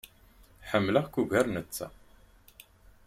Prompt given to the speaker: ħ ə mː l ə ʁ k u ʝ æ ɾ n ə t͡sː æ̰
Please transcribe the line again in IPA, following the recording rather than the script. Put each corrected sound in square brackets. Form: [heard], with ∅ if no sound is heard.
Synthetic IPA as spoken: ħ ə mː l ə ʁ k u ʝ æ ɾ n ə t͡sː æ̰